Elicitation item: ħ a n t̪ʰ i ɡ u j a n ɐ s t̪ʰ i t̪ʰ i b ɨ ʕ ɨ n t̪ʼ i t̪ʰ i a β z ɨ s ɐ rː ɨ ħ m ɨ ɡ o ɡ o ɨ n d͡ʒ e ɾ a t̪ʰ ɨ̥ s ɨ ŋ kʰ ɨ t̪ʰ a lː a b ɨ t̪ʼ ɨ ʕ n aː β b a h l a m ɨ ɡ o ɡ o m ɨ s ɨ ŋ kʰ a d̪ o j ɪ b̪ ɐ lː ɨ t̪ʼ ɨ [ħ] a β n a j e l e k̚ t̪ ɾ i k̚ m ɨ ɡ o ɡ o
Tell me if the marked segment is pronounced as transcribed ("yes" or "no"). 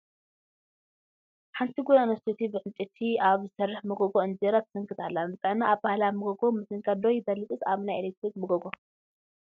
no